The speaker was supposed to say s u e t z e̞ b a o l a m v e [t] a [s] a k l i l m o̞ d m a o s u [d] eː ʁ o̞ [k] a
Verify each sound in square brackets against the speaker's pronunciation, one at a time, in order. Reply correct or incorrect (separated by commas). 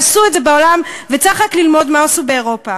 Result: incorrect, incorrect, incorrect, incorrect